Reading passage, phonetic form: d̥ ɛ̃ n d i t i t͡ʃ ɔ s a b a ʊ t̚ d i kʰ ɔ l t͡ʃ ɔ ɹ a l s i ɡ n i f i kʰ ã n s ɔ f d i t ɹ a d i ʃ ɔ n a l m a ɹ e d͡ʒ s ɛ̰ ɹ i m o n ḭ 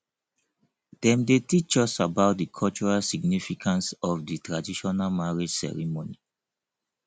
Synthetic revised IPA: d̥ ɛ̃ m d e t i t͡ʃ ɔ s a b a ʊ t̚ d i kʰ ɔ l t͡ʃ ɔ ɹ a l s i ɡ n i f i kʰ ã n s ɔ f d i t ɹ a d i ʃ ɔ n a l m a ɹ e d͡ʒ s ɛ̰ ɹ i m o n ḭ